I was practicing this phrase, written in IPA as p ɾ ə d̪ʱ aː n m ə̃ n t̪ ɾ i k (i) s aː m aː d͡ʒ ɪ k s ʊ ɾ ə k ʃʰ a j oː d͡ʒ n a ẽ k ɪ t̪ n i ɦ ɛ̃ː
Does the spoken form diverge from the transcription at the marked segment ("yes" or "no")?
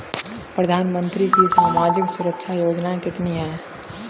no